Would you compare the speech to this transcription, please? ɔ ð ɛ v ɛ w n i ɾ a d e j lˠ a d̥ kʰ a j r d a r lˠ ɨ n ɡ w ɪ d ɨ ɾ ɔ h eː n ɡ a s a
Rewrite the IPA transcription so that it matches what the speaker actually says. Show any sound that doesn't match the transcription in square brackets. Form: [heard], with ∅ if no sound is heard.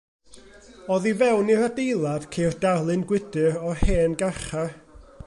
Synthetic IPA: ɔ ð [i] v ɛ w n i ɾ a d e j lˠ a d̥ kʰ [e] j r d a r lˠ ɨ n ɡ w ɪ d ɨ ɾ ɔ h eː n ɡ a [χ] a

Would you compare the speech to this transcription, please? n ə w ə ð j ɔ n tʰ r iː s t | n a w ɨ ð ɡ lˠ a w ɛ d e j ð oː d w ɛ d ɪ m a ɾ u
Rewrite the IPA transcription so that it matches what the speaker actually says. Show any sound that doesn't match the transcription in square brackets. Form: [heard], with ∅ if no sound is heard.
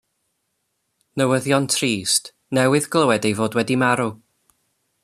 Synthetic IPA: n ə w ə ð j ɔ n tʰ r iː s t | n [ɛ] w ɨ ð ɡ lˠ [ə] w ɛ d e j [v] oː d w ɛ d [i] m a ɾ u

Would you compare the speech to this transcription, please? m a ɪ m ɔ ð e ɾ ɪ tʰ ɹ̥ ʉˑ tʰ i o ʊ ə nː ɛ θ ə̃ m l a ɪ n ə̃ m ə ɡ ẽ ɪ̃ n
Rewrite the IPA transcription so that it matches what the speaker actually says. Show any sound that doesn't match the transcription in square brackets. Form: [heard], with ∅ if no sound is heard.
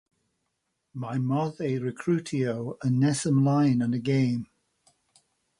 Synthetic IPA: m a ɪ m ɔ ð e [ɹ] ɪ [kʰ] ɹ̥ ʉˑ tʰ i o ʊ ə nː ɛ [s] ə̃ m l a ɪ n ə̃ [n] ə ɡ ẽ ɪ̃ [m]

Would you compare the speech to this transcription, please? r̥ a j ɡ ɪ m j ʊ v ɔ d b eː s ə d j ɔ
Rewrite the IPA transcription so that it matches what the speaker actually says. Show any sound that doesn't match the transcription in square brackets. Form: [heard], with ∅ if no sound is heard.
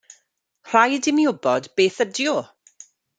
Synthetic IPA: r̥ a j [d] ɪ m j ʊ [b] ɔ d b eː [θ] ə d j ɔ

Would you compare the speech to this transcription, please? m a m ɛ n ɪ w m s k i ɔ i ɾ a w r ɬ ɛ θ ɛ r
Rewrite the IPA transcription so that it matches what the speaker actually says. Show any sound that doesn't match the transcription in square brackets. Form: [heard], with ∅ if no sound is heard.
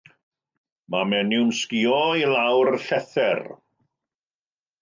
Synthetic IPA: m a m ɛ n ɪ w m s k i ɔ i [l] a w r ɬ ɛ θ ɛ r

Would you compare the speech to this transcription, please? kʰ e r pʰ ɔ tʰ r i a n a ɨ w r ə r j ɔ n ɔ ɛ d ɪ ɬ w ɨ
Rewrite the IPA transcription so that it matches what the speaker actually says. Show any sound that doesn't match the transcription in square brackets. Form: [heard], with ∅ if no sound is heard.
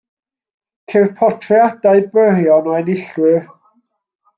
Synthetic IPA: kʰ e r pʰ ɔ tʰ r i a [d] a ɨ [b] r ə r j ɔ n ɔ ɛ [n] ɪ ɬ w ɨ

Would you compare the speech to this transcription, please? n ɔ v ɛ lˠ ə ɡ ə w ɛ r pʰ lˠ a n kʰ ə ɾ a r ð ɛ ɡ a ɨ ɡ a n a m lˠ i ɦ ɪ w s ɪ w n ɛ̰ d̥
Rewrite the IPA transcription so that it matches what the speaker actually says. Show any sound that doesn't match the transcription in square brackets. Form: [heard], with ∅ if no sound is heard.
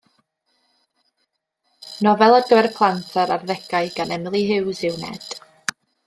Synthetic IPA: n ɔ v ɛ lˠ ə ɡ ə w ɛ r pʰ lˠ a n [tʰ] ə ɾ a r ð ɛ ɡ a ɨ ɡ a n [ɛ] m lˠ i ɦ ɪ w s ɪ w n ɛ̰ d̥

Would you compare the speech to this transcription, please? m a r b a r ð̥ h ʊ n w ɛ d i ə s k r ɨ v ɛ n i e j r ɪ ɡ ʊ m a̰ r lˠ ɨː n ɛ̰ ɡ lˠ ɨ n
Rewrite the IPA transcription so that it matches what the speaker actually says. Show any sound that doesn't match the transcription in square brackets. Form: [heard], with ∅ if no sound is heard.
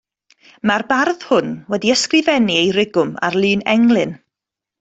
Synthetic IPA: m a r b a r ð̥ h ʊ n w ɛ d i ə s k r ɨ v ɛ n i e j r ɪ ɡ ʊ m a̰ r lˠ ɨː n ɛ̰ [ŋ] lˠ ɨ n

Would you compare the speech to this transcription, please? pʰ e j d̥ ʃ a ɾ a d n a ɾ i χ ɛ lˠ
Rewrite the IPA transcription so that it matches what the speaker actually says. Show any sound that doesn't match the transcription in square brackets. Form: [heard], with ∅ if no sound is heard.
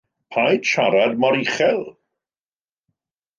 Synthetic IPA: pʰ [a] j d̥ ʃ a ɾ a d [m] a ɾ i χ ɛ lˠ

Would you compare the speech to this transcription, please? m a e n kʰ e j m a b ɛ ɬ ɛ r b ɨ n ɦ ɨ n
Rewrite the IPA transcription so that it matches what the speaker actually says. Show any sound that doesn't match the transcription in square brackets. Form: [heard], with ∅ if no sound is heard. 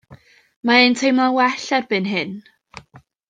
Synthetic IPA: m a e n [tʰ] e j m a [w] ɛ ɬ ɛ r b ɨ n ɦ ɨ n

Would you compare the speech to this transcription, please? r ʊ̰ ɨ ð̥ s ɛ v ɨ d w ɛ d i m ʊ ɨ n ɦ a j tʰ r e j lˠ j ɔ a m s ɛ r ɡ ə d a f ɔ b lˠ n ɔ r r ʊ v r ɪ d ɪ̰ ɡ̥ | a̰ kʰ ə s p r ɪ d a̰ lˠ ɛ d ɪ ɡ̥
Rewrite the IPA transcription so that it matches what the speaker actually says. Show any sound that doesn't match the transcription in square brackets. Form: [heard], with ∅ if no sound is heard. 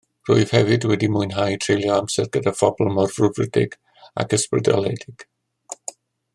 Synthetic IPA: r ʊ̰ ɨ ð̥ [h] ɛ v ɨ d w ɛ d i m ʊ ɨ n ɦ a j tʰ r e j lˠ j ɔ a m s ɛ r ɡ ə d a f ɔ b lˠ [m] ɔ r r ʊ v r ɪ d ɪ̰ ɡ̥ | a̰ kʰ ə s p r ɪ d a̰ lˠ ɛ d ɪ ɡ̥

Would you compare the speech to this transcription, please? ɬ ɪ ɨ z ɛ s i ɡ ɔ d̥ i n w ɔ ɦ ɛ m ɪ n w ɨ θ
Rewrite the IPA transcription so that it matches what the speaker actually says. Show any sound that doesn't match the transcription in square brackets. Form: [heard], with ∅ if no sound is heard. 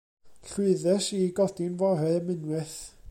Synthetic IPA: ɬ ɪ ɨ [ð] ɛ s i ɡ ɔ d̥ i n [v] ɔ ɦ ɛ m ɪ n w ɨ θ

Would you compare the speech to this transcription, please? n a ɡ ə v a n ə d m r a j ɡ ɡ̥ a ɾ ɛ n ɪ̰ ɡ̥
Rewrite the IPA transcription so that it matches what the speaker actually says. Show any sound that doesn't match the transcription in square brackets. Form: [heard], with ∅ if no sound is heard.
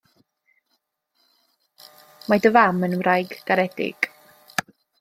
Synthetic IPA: [m] a [d] ə v a [m] ə [n] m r a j ɡ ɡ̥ a ɾ ɛ [d] ɪ̰ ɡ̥

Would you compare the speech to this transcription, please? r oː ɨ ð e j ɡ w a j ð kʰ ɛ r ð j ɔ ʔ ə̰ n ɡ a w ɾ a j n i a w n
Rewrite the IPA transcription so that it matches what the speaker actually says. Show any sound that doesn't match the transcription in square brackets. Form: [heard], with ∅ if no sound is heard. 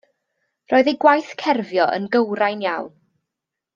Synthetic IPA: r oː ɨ ð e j ɡ w a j [θ] kʰ ɛ r [v] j ɔ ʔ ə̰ n ɡ [ə] w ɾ a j n [j] a w n

